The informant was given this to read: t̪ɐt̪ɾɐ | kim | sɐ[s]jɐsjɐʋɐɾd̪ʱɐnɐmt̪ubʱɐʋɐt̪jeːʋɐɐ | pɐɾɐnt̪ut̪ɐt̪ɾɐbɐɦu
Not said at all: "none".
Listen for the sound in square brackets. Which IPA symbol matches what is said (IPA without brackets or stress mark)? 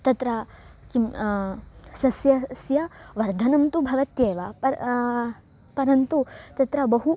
s